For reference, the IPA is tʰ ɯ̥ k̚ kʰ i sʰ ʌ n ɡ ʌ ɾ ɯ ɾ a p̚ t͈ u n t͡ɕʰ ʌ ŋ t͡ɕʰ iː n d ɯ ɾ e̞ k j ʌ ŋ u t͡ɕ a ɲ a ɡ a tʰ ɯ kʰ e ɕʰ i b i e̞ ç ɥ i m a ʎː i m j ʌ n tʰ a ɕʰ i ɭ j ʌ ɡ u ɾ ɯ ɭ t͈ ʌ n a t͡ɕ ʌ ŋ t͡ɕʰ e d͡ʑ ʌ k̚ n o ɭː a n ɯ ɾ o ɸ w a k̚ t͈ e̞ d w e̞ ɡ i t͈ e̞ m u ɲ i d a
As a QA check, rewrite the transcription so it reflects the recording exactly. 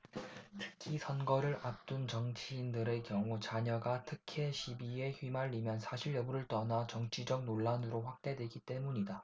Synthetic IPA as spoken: tʰ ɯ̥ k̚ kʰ i sʰ ʌ n ɡ ʌ ɾ ɯ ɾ a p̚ t͈ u n t͡ɕ ʌ ŋ t͡ɕʰ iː n d ɯ ɾ e̞ k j ʌ ŋ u t͡ɕ a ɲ ʌ ɡ a tʰ ɯ kʰ e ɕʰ i b i e̞ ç ɥ i m a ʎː i m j ʌ n sʰ a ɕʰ i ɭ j ʌ b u ɾ ɯ ɭ t͈ ʌ n a t͡ɕ ʌ ŋ t͡ɕʰ i d͡ʑ ʌ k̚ n o ɭː a n ɯ ɾ o ɸ w a k̚ t͈ e̞ d w e̞ ɡ i t͈ e̞ m u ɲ i d a